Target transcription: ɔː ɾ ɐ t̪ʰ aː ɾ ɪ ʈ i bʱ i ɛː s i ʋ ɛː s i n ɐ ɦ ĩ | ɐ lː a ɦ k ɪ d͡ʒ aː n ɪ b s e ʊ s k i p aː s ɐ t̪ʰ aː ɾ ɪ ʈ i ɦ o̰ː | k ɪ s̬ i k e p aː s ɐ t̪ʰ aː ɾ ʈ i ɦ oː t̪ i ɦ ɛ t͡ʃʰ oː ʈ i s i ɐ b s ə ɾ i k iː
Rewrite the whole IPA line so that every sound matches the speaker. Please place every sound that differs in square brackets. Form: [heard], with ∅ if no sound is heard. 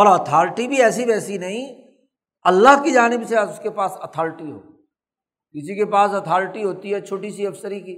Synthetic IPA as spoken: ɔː ɾ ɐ t̪ʰ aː ɾ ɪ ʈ i bʱ i ɛː s i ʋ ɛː s i n ɐ ɦ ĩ | ɐ lː a ɦ k [i] d͡ʒ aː n ɪ b s e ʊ s k [e] p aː s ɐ t̪ʰ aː ɾ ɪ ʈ i ɦ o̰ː | k ɪ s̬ i k e p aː s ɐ t̪ʰ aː ɾ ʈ i ɦ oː t̪ i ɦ ɛ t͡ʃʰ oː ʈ i s i ɐ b s ə ɾ i k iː